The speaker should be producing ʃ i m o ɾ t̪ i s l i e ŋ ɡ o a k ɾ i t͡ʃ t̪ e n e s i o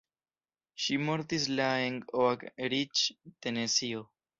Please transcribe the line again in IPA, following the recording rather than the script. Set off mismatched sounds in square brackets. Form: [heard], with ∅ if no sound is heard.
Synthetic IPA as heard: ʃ i m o ɾ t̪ i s l [a] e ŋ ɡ o a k ɾ i t͡ʃ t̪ e n e s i o